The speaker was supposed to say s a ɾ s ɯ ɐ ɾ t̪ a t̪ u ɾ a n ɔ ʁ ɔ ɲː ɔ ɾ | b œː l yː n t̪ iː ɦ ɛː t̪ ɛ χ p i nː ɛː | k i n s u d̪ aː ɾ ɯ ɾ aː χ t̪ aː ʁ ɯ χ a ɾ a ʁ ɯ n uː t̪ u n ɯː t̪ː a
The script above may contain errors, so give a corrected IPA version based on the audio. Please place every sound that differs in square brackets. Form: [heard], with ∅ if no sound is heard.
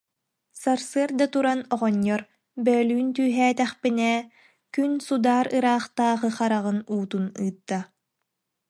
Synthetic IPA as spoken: s a ɾ s ɯ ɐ ɾ [d̪] a t̪ u ɾ a n ɔ ʁ ɔ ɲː ɔ ɾ | b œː l yː n t̪ [yː] ɦ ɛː t̪ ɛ χ p i [n] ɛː | k [y] n s u d̪ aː ɾ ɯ ɾ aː χ t̪ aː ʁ ɯ χ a ɾ a ʁ ɯ n uː t̪ u n ɯː t̪ː a